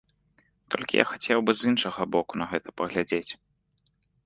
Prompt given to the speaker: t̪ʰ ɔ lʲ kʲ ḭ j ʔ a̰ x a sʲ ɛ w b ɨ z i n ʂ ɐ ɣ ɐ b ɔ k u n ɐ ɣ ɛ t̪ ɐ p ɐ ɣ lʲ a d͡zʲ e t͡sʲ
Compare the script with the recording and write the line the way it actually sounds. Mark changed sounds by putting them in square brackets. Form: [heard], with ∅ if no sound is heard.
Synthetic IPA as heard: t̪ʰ ɔ lʲ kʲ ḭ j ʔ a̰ x a [t͡sʲ] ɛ w b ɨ z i n ʂ ɐ ɣ ɐ b ɔ k u n ɐ ɣ ɛ t̪ ɐ p ɐ ɣ lʲ a d͡zʲ e t͡sʲ